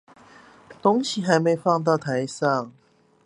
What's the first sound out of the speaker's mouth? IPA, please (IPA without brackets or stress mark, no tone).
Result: t̪